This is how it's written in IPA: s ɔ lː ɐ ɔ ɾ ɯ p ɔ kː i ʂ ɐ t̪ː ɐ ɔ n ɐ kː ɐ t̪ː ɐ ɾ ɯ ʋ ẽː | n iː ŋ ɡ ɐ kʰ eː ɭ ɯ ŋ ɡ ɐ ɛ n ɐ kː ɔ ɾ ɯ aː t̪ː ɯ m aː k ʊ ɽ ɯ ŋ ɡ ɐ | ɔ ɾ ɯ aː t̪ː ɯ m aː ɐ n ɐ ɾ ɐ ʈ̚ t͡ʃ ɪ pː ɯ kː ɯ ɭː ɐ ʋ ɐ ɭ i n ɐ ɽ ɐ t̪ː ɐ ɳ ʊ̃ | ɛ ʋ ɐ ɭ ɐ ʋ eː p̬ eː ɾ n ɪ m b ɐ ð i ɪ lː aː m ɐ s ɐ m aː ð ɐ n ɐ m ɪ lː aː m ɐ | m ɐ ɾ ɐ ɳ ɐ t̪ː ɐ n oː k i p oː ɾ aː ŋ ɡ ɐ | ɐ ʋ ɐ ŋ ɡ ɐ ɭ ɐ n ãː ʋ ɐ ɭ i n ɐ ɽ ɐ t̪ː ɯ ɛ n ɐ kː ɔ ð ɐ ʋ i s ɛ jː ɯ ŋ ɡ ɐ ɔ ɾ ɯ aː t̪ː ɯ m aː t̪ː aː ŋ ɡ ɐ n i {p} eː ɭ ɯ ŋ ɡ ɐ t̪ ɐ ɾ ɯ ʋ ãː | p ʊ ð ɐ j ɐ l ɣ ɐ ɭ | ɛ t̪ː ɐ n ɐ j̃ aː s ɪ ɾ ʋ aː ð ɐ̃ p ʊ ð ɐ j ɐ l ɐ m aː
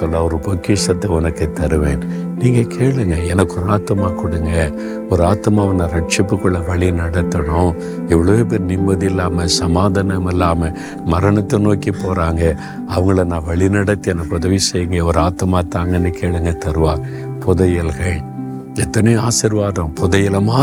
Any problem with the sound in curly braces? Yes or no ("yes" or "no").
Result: yes